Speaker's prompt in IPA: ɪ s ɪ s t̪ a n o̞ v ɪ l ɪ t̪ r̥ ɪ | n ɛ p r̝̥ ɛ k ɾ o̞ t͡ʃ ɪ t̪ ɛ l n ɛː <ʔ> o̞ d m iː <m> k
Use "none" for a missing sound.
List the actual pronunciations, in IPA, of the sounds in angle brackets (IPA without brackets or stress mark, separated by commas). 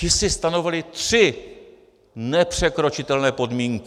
p, ŋ